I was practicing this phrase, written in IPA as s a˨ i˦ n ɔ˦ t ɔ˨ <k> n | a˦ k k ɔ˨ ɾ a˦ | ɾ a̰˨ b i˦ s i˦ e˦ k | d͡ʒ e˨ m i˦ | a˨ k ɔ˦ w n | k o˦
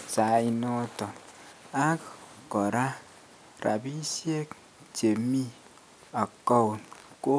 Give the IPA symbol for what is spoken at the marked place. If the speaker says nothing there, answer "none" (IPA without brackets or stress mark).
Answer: none